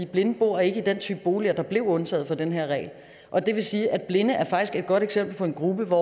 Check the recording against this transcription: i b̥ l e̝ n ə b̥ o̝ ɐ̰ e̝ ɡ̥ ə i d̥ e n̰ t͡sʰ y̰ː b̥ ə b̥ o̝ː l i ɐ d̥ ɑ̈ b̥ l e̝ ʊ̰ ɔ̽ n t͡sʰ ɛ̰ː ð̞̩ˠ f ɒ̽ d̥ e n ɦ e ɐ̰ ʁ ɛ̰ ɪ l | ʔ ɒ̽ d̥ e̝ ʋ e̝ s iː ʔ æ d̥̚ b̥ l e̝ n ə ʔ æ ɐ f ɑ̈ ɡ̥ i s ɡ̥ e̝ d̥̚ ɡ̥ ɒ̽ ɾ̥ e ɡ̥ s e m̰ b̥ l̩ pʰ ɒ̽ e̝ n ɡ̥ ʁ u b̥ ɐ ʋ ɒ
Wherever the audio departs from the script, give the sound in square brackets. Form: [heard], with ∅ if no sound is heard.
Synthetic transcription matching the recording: i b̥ l e̝ n ə b̥ o̝ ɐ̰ e̝ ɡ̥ ə i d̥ e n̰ t͡sʰ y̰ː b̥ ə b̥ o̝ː l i ɐ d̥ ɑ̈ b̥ l e̝ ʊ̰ ɔ̽ n t͡sʰ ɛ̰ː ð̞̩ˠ f ɒ̽ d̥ e n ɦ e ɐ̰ ʁ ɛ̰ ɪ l | ʔ ɒ̽ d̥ e̝ ʋ e̝ s iː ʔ æ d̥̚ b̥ l e̝ n ə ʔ æ ɐ f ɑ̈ ɡ̥ i s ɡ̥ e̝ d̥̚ ɡ̥ ɒ̽ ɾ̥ e ɡ̥ s e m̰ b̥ l̩ pʰ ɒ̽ e̝ n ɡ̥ ʁ u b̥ [ə] ʋ ɒ

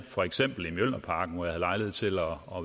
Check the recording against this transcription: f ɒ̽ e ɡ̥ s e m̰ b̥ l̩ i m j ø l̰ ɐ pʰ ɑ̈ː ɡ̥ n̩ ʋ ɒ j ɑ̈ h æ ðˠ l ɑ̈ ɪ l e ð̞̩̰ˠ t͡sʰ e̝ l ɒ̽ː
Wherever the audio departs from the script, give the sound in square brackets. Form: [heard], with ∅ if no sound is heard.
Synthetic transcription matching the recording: f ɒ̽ e ɡ̥ s e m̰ b̥ l̩ i m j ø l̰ ɐ pʰ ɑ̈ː ɡ̥ n̩ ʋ ɒ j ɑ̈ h æ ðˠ l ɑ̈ ɪ l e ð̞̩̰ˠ t͡sʰ e̝ l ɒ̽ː

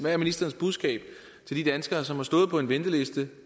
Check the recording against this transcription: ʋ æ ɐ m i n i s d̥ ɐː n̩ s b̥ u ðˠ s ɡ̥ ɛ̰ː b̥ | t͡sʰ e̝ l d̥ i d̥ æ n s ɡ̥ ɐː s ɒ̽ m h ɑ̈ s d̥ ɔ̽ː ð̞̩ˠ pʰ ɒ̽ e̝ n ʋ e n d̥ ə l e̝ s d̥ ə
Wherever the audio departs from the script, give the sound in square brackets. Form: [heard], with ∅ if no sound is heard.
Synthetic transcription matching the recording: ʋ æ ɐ m i n i s d̥ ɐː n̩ s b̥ u ðˠ s ɡ̥ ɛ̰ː b̥ | t͡sʰ e̝ l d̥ i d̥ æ n s ɡ̥ ɐː s ɒ̽ m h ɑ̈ s d̥ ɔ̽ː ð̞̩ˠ pʰ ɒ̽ e̝ n ʋ e n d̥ ə l e̝ s d̥ ə

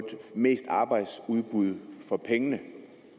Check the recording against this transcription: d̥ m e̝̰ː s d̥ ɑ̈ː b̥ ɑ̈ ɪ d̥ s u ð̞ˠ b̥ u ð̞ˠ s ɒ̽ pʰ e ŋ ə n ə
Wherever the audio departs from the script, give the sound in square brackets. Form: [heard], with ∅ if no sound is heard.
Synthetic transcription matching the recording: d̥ m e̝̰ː s d̥ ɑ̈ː b̥ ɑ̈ ɪ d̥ s u ð̞ˠ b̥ u ð̞ˠ [f] ɒ̽ pʰ e ŋ ə n ə

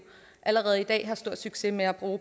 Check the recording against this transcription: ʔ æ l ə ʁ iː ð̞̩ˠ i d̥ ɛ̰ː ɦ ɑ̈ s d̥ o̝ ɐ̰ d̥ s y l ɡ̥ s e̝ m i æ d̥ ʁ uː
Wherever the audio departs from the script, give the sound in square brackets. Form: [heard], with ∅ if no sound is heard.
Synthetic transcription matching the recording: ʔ æ l ə ʁ [ɛː] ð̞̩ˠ i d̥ ɛ̰ː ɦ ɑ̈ s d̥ o̝ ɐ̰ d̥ s y [∅] ɡ̥ s e̝ m [e] æ [b̥] ʁ uː

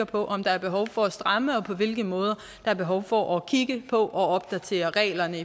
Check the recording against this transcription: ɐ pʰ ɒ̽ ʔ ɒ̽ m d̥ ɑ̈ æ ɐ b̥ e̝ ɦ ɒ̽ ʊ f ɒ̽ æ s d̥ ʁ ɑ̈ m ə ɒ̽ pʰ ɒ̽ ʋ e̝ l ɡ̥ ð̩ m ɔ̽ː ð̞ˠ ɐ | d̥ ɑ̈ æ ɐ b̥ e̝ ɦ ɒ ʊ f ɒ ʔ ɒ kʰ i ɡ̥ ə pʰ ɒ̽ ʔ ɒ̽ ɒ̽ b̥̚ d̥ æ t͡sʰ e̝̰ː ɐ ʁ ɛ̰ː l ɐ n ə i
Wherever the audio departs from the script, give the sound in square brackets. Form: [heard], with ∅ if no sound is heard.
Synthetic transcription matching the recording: ɐ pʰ ɒ̽ ʔ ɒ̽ m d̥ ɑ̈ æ ɐ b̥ e̝ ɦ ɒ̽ ʊ f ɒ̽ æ s d̥ ʁ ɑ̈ m ə ɒ̽ pʰ ɒ̽ ʋ e̝ l ɡ̥ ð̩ m ɔ̽ː ð̞ˠ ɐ | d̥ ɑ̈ æ ɐ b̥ e̝ ɦ ɒ ʊ f ɒ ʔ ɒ kʰ i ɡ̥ ə pʰ ɒ̽ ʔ ɒ̽ ɒ̽ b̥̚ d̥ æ t͡sʰ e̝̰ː ɐ ʁ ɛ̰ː l ɐ n ə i

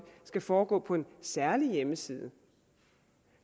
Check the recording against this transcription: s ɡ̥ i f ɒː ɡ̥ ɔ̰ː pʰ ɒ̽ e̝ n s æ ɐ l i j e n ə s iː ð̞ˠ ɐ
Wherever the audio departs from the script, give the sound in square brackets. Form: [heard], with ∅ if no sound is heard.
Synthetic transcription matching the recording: s ɡ̥ [æ] f ɒː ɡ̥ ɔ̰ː pʰ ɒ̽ e̝ n s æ ɐ l i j e [m] ə s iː ð̞ˠ [ə]

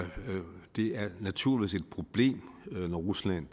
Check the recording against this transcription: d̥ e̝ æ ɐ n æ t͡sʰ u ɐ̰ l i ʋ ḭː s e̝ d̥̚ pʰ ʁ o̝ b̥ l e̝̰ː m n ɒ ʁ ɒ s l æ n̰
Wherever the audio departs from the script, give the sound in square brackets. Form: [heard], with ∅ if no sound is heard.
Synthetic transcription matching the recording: d̥ e̝ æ ɐ n æ t͡sʰ u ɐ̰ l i ʋ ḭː s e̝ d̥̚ pʰ ʁ o̝ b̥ l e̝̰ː m n ɒ ʁ [u] s l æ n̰

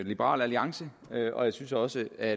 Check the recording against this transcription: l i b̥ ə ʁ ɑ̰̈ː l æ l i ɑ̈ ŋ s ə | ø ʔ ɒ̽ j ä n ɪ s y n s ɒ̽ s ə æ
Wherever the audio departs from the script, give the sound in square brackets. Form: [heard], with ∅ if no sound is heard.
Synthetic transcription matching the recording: l i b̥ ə ʁ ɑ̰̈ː l æ l i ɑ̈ ŋ s ə | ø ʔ ɒ̽ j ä [∅] ɪ s y n s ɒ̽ s ə æ

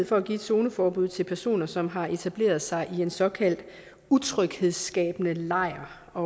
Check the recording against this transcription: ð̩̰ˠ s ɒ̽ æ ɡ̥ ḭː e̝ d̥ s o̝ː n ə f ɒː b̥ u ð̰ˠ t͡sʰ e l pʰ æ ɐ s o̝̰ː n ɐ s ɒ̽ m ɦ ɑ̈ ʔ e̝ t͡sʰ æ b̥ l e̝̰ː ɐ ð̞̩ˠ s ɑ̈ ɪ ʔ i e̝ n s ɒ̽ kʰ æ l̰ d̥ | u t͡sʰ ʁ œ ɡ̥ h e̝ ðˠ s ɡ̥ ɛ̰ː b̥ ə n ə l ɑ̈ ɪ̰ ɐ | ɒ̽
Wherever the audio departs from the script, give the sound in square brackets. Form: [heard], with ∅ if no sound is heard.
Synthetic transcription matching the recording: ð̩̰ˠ [f] ɒ̽ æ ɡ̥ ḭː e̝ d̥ s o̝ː n ə f ɒː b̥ u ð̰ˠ t͡sʰ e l pʰ æ ɐ s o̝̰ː n ɐ s ɒ̽ m ɦ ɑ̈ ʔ e̝ t͡sʰ æ b̥ l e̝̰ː ɐ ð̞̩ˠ s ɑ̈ ɪ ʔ i e̝ n s ɒ̽ kʰ æ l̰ d̥ | u t͡sʰ ʁ œ ɡ̥ h e̝ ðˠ s ɡ̥ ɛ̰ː b̥ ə n ə l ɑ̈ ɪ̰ ɐ | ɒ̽

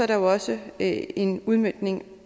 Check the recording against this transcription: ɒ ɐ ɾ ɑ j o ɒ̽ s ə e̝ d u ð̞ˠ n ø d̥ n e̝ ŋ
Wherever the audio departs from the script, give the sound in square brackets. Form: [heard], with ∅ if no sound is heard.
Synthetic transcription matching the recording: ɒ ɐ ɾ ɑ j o ɒ̽ s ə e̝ [n] u ð̞ˠ [m] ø d̥ n e̝ ŋ

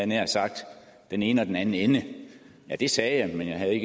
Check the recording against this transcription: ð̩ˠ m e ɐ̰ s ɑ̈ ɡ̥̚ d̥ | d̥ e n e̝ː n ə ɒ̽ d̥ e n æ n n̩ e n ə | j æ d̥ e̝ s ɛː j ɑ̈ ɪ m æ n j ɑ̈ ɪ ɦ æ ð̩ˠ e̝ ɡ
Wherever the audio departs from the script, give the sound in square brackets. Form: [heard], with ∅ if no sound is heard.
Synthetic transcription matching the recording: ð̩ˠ [n] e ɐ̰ s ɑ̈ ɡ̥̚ d̥ | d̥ e n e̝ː n ə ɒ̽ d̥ e n æ n n̩ e n ə | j æ d̥ e̝ s ɛː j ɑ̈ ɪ m [e] n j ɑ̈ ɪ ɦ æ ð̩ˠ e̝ ɡ

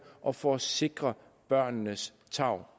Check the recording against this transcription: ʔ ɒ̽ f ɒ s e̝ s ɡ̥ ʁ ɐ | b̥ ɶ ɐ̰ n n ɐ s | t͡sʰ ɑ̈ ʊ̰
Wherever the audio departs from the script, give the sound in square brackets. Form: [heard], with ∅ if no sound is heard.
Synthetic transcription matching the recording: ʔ ɒ̽ f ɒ s e̝ [∅] ɡ̥ ʁ ɐ | b̥ ɶ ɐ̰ n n [ə] s | t͡sʰ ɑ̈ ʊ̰

